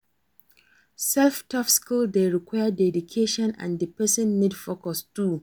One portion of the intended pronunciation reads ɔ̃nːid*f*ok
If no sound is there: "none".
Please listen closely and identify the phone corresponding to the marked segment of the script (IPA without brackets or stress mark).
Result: f